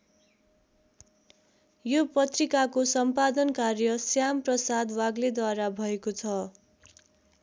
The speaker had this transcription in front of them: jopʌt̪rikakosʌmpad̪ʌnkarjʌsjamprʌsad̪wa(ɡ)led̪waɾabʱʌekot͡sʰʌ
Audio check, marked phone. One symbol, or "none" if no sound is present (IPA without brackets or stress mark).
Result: ɡ